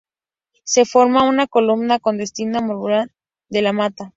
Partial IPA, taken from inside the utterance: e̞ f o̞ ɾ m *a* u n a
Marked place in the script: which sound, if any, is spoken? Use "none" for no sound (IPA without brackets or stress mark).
a